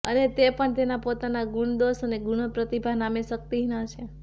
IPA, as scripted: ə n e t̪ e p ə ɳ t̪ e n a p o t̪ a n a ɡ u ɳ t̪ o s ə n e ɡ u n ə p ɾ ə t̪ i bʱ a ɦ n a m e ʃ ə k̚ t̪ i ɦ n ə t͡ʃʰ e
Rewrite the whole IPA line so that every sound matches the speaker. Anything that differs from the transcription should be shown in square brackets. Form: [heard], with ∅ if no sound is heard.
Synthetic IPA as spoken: ə n e t̪ e p ə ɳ t̪ e n a p o t̪ a n a ɡ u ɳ [d̪] o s ə n e ɡ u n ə p ɾ ə t̪ i bʱ a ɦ n a m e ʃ ə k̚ t̪ i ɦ n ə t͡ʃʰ e